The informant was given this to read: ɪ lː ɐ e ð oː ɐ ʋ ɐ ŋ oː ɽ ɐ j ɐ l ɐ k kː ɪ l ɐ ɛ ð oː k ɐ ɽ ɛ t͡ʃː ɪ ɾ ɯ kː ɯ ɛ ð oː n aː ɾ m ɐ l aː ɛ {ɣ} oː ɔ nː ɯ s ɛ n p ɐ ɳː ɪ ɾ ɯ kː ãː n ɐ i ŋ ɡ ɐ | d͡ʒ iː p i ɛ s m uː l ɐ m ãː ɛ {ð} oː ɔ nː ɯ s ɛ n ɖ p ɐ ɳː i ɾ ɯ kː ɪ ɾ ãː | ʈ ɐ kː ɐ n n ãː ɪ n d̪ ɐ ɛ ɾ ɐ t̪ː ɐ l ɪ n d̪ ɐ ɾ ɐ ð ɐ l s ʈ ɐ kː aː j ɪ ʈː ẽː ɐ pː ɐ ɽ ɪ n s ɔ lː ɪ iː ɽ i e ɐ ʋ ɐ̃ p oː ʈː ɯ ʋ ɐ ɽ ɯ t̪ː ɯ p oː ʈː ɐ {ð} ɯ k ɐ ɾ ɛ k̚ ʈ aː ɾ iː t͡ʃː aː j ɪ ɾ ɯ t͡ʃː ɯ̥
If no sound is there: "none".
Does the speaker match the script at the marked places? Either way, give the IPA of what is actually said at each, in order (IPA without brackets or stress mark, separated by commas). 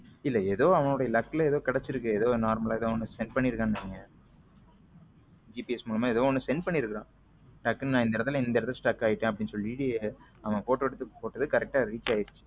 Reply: ð, ð, ð